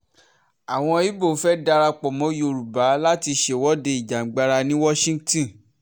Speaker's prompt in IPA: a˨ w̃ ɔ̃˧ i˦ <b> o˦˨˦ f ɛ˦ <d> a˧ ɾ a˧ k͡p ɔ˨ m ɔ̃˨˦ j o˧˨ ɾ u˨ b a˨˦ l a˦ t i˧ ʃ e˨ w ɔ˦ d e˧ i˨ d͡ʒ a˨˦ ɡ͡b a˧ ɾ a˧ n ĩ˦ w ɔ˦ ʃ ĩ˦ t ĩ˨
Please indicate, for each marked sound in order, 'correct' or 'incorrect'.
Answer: correct, correct

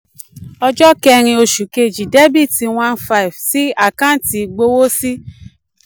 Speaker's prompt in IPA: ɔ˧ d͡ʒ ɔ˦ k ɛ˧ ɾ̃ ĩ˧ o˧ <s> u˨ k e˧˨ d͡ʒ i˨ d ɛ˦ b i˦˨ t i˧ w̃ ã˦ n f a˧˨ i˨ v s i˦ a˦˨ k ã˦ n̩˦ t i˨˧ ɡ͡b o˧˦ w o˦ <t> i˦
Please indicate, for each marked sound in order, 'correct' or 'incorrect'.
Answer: incorrect: ʃ, incorrect: s

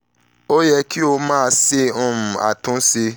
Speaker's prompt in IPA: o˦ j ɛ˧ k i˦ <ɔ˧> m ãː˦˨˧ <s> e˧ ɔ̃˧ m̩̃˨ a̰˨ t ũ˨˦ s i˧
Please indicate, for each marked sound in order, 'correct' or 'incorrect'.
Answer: incorrect: o˧, correct

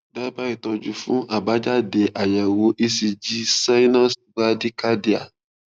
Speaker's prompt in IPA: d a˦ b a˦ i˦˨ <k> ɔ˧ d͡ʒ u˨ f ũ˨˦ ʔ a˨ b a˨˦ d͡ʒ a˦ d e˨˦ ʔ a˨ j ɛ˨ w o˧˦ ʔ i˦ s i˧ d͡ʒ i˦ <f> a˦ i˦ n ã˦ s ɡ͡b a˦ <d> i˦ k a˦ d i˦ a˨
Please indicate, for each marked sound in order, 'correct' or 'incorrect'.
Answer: incorrect: t, incorrect: s, correct

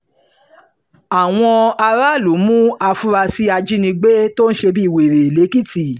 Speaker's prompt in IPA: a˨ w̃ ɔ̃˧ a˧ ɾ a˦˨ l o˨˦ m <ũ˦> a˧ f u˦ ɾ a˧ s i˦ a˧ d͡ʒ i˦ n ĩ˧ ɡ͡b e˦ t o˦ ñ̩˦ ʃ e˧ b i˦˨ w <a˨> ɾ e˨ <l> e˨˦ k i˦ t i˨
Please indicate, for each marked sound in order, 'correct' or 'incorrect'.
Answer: correct, incorrect: e˨, correct

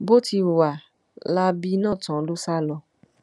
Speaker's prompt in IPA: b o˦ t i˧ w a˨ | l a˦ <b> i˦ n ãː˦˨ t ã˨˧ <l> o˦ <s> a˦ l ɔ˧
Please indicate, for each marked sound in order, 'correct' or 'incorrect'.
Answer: correct, correct, correct

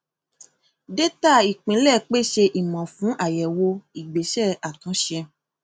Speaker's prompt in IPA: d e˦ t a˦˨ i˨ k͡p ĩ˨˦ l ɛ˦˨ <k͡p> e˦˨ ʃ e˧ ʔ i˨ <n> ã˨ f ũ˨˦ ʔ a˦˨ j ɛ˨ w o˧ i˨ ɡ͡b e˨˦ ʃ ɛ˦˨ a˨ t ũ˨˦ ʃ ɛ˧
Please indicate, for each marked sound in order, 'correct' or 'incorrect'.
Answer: correct, incorrect: m

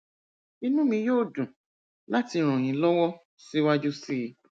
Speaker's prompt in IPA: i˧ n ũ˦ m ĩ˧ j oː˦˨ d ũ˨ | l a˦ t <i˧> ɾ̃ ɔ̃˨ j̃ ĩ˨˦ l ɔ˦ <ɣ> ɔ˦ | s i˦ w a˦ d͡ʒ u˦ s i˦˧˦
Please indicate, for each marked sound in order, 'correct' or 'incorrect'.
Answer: correct, incorrect: w

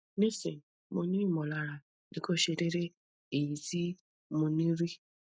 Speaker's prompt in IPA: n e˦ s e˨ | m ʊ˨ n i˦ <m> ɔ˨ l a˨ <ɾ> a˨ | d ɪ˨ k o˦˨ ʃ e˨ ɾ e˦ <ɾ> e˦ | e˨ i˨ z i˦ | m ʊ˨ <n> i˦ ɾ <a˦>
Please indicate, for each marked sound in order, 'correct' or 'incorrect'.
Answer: correct, correct, correct, correct, incorrect: i˦

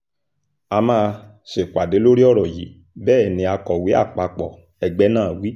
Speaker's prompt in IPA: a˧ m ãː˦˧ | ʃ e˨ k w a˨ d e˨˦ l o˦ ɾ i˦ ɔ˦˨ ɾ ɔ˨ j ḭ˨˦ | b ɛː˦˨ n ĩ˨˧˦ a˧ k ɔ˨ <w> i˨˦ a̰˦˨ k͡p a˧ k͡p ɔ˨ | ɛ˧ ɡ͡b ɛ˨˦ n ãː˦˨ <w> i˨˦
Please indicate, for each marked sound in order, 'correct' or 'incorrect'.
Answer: correct, correct

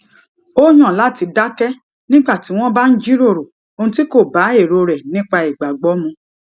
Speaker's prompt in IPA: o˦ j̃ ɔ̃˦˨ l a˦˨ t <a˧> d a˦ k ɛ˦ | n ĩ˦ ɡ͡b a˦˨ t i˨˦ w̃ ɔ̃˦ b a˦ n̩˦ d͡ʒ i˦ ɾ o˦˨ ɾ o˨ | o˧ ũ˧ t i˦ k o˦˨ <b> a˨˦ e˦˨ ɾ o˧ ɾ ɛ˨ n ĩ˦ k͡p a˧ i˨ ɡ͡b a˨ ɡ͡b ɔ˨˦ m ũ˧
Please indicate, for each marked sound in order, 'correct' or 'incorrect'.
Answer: incorrect: i˧, correct

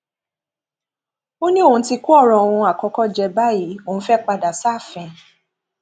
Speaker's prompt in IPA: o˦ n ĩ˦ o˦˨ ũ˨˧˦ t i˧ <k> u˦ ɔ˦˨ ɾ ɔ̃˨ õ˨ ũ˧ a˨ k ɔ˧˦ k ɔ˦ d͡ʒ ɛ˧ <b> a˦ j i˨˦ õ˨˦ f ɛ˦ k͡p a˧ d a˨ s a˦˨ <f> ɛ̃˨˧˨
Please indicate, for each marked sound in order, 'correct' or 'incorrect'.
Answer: correct, correct, correct

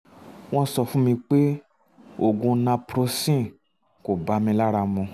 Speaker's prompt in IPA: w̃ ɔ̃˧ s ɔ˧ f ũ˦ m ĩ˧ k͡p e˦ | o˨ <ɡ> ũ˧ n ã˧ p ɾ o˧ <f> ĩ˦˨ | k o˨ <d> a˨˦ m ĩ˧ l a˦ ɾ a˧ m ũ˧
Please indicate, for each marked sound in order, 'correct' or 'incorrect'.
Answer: correct, incorrect: s, incorrect: b

